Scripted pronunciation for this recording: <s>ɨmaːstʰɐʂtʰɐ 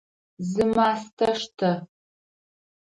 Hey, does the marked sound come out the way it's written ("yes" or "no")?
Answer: no